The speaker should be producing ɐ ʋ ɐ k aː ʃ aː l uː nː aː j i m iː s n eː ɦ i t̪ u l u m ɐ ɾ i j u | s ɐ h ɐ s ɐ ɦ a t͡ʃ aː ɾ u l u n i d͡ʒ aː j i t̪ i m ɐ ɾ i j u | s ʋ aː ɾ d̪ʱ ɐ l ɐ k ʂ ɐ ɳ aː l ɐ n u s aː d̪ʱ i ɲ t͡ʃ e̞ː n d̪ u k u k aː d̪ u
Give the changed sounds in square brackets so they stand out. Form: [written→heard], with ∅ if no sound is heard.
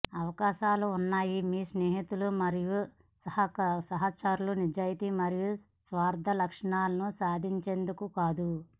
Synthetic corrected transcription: ɐ ʋ ɐ k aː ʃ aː l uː nː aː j i m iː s n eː ɦ i t̪ u l u m ɐ ɾ i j u | s ɐ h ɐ s ɐ ɦ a t͡ʃ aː ɾ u l u n i d͡ʒ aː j i t̪ i m ɐ ɾ i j u | s ʋ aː ɾ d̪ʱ ɐ l ɐ k ʂ ɐ ɳ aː l ɐ n u s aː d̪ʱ i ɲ t͡ʃ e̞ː n d̪ u k u k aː d̪ u